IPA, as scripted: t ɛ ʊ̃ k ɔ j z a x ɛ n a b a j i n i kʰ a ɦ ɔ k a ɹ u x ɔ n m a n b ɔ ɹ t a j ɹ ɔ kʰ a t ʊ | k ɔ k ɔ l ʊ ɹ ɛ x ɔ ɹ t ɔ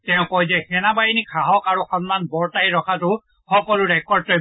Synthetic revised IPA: t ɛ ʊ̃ k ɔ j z ɛ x ɛ n a b a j i n i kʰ a ɦ ɔ k a ɹ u x ɔ n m a n b ɔ ɹ t a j ɹ ɔ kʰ a t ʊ | x ɔ k ɔ l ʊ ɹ ɛ k ɔ ɹ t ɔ